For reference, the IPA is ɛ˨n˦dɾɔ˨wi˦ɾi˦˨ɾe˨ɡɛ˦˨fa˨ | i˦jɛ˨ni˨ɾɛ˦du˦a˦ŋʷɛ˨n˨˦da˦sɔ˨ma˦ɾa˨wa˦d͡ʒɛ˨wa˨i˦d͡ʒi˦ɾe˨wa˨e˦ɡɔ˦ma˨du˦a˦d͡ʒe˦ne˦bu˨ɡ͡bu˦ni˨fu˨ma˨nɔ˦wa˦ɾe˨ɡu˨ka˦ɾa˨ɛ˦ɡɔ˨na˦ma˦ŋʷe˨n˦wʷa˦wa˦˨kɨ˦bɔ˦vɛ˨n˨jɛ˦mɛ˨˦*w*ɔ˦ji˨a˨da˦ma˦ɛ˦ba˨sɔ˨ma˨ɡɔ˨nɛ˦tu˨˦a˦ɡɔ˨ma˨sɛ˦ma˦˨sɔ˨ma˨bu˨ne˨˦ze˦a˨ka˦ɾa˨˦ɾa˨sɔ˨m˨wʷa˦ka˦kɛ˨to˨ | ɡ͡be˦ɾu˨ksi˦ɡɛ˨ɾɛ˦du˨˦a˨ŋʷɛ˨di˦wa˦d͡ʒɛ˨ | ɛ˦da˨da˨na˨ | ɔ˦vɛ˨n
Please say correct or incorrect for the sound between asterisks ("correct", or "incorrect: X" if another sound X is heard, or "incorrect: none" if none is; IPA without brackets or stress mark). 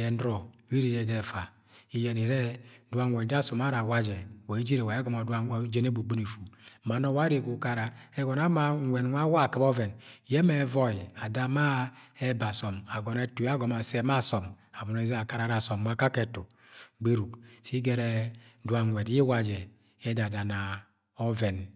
incorrect: v